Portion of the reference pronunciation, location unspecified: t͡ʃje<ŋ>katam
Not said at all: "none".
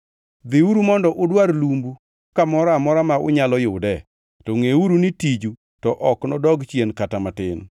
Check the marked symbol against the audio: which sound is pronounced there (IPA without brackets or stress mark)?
n